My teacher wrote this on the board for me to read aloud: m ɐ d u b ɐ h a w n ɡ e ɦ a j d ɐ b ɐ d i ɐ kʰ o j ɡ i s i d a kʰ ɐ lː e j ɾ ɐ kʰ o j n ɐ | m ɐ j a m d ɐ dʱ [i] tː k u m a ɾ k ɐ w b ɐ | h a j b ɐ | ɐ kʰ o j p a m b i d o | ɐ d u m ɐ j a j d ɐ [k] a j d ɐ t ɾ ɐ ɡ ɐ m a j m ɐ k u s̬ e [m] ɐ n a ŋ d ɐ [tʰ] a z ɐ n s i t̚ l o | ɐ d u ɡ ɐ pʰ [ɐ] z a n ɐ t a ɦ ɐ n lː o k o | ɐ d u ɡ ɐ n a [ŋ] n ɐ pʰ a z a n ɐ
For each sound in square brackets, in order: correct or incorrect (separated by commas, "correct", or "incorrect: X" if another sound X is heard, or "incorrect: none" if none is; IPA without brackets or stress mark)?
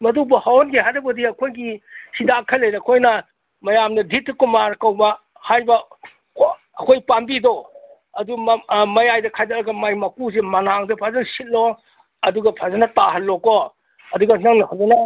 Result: correct, incorrect: kʰ, correct, incorrect: pʰ, incorrect: a, correct